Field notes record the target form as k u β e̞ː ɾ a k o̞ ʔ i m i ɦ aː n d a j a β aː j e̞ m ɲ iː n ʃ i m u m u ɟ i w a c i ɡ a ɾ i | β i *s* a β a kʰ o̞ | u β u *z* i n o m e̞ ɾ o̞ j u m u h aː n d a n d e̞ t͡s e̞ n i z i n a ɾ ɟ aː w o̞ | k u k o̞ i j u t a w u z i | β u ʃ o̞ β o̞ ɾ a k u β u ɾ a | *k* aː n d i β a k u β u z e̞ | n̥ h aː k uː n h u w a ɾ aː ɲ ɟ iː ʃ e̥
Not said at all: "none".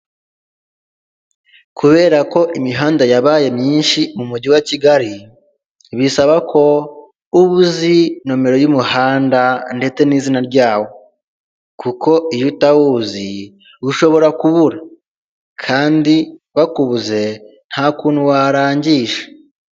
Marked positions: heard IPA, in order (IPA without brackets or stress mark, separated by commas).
s, z, kʰ